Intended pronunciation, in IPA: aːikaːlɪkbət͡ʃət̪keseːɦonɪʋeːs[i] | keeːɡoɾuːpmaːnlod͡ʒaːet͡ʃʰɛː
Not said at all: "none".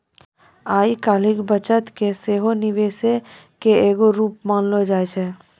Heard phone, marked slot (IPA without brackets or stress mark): e